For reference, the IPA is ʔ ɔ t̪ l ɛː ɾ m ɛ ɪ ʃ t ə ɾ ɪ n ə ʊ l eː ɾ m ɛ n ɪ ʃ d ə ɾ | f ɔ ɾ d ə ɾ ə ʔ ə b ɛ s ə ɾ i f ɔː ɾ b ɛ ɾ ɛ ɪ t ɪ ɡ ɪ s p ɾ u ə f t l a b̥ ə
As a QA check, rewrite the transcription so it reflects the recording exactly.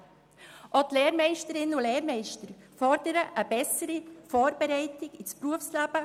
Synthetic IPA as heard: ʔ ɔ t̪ l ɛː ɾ m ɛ ɪ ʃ t ə ɾ ɪ n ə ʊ l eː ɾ m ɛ ɪ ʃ t ə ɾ | f ɔ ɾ d ə ɾ ə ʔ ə b ɛ s ə ɾ i f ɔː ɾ b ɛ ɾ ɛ ɪ t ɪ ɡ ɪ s p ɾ u ə f s l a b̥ ə